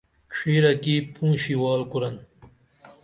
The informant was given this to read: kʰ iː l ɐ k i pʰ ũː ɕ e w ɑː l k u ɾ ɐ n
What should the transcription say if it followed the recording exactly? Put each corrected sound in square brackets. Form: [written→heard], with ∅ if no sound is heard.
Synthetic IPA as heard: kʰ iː [l→ɾ] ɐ k i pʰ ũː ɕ [e→i] w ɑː l k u ɾ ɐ n